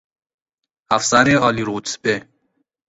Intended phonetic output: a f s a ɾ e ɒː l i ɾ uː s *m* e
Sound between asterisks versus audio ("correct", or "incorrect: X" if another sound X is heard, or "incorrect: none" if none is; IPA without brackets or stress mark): incorrect: b